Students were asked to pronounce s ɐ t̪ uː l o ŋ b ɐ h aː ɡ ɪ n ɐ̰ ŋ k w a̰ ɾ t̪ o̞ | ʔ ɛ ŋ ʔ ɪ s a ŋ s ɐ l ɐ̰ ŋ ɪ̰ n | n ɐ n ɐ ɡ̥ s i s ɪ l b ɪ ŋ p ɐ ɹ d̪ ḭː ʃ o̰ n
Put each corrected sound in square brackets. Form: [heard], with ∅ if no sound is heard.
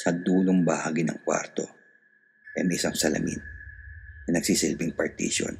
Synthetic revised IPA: s ɐ [d̪] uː l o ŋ b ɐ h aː ɡ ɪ n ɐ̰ ŋ k w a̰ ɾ t̪ o̞ | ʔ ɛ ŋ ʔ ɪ s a ŋ s ɐ l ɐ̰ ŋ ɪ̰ n | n ɐ n ɐ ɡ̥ s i s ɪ l b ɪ ŋ p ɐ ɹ [t̪] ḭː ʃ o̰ n